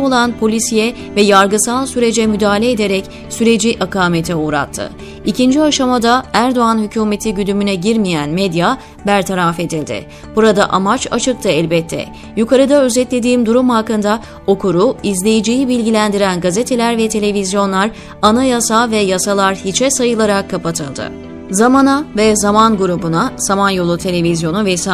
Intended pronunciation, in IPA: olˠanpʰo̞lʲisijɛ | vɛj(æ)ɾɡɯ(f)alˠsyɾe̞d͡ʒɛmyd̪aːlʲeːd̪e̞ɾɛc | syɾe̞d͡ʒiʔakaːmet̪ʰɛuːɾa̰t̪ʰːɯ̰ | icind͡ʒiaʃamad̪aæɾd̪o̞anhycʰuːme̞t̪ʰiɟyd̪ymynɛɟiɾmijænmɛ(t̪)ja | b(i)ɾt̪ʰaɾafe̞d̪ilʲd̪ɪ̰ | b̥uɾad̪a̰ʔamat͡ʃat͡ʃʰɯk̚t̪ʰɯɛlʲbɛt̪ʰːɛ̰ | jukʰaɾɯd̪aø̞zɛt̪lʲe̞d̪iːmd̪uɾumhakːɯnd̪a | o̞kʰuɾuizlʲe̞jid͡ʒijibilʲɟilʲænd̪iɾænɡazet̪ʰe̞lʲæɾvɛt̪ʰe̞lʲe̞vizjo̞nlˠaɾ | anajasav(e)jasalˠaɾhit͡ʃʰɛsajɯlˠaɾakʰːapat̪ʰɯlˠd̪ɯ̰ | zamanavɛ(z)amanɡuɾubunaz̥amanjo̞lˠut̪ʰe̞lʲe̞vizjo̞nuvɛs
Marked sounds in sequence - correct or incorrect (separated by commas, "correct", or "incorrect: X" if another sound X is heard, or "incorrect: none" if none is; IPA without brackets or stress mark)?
incorrect: a, incorrect: s, incorrect: d̪, incorrect: æ, incorrect: ɛ, correct